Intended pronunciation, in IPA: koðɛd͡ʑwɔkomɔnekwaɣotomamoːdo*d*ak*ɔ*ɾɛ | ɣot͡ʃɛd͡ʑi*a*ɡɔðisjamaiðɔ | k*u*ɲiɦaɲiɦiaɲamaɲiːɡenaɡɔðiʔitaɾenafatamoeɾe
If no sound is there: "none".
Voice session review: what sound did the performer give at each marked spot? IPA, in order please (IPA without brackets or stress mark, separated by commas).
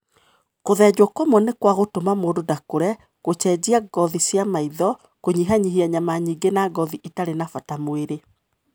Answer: d, o, a, o